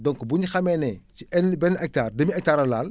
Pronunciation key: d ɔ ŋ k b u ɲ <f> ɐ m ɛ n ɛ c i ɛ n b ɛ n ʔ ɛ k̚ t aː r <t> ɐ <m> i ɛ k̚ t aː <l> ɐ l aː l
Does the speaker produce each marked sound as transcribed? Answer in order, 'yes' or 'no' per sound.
no, no, yes, no

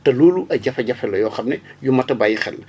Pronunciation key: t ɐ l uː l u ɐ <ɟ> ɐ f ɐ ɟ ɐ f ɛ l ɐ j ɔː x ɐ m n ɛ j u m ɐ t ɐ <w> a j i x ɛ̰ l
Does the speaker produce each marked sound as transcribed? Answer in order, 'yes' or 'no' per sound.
yes, no

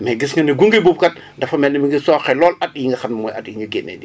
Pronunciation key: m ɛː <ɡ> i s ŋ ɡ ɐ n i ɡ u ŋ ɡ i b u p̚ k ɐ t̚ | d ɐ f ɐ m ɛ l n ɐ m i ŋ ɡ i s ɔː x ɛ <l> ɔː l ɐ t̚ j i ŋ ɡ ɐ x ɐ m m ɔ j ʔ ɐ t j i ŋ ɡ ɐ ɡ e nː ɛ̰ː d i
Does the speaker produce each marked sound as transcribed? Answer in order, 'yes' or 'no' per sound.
yes, yes

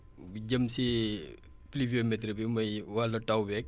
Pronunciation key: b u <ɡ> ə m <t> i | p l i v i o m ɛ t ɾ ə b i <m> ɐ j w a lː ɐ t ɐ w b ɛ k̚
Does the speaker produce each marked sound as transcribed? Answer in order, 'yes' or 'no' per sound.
no, no, yes

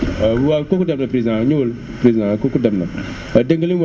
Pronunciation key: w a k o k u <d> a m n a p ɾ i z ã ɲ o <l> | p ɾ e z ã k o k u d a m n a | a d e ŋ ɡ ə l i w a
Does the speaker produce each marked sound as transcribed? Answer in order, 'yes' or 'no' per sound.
yes, yes

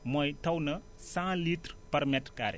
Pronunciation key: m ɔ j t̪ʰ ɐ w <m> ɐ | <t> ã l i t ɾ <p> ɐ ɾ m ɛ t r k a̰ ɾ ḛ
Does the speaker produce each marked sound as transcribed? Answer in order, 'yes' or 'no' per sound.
no, no, yes

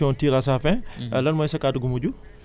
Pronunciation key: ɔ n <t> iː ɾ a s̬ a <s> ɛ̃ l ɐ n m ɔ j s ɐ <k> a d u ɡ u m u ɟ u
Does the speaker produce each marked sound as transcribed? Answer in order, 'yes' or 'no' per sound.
yes, no, yes

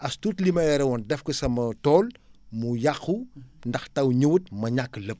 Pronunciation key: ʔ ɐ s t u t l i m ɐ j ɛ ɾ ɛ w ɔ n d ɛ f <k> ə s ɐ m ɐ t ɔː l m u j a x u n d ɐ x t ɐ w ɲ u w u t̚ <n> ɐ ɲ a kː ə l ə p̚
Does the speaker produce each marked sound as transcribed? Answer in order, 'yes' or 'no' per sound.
yes, no

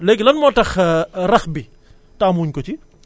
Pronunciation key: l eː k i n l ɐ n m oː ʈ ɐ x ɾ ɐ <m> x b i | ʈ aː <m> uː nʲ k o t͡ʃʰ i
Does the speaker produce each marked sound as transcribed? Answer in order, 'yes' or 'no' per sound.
no, yes

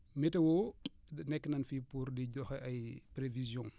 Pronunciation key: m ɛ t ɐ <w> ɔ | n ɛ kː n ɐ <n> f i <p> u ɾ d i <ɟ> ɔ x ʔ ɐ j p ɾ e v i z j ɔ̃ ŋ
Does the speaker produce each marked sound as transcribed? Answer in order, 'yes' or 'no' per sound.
yes, yes, yes, yes

